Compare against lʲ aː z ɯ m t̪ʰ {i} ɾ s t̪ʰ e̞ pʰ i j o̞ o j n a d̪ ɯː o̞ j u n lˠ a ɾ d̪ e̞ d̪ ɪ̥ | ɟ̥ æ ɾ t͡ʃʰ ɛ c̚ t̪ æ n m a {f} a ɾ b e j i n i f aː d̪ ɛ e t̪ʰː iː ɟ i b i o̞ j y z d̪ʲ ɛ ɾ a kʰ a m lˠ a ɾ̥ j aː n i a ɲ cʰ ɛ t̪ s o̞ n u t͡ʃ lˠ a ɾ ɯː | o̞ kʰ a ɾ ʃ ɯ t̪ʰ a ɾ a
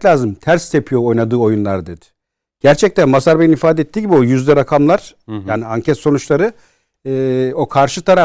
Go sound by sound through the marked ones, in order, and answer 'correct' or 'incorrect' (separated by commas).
incorrect, incorrect